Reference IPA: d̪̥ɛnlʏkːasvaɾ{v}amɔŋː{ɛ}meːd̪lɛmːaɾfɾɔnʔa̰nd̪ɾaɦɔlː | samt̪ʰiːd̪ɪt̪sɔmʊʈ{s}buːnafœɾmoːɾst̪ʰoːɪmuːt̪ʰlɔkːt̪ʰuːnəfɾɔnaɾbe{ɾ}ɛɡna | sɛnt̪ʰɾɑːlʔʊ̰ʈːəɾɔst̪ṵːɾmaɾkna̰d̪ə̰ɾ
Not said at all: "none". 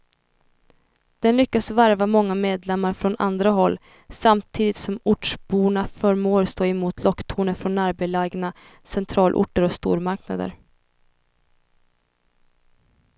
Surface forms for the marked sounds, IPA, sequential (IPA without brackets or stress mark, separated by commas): v, a, ʂ, l